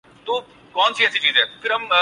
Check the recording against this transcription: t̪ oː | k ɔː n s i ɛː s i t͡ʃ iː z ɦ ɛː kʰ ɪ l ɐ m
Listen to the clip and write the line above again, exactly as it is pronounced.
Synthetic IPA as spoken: t̪ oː | k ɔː n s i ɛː s i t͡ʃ iː z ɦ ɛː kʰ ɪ ɾ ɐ m